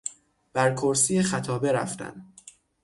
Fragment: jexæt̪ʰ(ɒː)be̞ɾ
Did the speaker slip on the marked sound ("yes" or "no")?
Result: no